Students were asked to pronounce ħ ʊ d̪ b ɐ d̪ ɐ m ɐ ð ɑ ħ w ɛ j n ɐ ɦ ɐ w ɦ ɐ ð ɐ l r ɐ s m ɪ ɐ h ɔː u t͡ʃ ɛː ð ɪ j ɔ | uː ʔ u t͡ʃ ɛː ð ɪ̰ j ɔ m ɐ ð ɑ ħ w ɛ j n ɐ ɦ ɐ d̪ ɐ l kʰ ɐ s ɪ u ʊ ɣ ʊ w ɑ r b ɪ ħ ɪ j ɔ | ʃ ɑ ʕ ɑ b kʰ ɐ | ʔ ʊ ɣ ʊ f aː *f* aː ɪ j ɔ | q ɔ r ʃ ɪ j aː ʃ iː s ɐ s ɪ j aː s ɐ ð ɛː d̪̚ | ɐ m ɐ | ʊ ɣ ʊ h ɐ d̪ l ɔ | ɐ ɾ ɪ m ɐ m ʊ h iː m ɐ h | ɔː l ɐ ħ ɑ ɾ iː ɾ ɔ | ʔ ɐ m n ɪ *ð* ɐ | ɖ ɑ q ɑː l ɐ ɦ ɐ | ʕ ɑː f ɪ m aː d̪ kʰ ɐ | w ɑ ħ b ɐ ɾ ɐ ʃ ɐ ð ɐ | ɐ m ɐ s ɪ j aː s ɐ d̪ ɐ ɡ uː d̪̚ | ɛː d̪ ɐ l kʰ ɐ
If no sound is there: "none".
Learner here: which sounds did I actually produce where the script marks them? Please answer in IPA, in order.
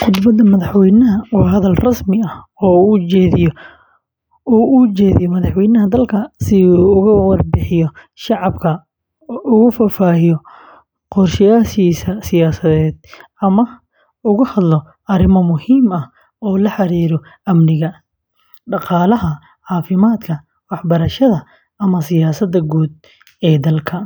f, ɣ

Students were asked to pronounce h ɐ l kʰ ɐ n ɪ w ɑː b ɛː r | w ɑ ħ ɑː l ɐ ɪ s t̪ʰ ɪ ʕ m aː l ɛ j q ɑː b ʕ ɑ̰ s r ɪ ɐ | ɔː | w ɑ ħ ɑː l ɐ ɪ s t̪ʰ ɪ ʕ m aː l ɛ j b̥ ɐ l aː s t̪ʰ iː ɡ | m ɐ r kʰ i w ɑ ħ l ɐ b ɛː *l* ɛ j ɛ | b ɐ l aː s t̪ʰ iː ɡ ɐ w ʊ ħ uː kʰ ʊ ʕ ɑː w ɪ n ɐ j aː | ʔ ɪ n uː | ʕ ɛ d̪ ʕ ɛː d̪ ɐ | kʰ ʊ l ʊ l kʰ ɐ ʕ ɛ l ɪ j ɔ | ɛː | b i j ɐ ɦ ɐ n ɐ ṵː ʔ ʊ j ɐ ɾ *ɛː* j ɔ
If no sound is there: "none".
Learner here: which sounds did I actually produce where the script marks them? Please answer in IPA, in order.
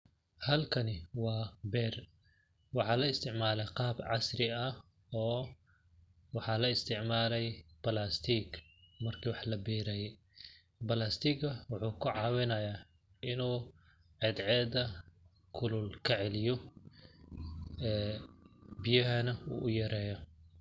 ɾ, ɛː

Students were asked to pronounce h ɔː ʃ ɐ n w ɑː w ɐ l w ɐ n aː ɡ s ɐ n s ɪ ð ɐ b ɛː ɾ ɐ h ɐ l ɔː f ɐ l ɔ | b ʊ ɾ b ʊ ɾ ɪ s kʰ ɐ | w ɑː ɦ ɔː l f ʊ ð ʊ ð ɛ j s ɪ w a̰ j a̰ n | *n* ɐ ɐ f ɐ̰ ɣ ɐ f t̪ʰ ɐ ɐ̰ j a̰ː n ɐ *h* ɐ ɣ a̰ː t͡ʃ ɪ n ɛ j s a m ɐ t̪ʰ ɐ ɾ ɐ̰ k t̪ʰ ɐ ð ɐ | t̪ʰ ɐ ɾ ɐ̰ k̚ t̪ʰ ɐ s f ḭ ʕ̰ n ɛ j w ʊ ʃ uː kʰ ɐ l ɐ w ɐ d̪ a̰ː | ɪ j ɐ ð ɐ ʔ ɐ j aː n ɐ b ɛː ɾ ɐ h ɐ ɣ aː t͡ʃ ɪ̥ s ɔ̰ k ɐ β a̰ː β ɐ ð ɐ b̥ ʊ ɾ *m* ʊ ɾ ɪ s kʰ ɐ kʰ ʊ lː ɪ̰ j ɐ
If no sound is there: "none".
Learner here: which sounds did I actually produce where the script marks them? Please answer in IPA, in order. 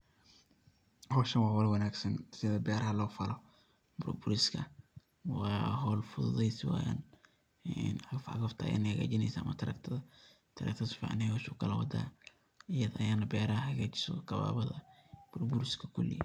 n, h, b

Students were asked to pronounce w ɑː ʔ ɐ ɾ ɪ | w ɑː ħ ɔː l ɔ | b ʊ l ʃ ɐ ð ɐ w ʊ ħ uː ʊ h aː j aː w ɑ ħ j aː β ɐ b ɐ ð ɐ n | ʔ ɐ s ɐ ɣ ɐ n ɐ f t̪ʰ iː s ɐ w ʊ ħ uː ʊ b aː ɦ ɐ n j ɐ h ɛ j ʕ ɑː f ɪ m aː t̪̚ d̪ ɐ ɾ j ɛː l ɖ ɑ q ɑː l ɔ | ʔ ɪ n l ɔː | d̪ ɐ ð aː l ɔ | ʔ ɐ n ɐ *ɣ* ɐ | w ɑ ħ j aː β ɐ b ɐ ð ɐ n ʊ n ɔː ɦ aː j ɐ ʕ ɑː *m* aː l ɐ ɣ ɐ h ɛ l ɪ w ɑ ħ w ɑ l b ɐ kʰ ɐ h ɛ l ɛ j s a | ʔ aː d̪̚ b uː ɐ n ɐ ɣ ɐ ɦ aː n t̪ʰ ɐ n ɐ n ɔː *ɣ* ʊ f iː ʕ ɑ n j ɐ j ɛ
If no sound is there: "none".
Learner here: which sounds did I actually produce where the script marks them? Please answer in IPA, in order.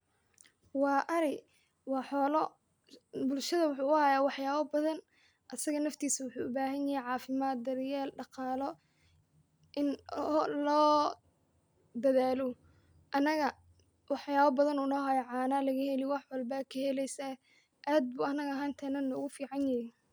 ɣ, n, ɣ

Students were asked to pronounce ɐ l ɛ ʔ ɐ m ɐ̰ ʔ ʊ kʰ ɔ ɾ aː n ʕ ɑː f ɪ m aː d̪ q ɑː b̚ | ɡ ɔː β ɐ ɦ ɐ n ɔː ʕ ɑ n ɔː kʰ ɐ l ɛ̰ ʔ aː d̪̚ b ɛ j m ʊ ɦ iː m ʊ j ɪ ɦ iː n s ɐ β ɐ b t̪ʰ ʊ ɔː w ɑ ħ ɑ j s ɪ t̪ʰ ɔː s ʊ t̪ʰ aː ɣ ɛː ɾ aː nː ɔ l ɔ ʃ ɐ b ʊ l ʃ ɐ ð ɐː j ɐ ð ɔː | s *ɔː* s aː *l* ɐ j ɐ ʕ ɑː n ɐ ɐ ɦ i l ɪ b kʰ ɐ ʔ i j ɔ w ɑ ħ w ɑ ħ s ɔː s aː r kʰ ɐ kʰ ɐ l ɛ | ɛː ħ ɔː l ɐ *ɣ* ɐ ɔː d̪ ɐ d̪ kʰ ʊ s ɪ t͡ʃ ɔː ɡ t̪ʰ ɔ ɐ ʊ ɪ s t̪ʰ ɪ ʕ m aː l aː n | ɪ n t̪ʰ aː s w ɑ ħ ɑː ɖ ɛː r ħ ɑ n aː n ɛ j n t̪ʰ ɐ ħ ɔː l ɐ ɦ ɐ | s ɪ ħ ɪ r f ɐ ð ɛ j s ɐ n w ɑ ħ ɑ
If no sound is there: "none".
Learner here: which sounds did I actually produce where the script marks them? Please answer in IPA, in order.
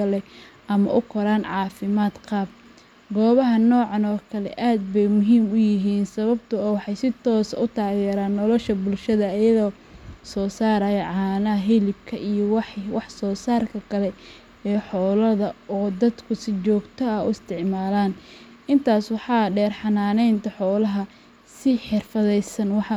ɔː, ɾ, ð

